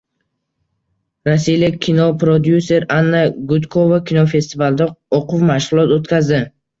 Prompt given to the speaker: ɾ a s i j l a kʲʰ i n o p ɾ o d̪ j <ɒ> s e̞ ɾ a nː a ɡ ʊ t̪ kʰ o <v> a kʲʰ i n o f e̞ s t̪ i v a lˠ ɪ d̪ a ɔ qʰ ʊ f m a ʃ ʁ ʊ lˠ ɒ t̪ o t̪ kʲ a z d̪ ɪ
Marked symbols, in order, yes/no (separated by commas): no, yes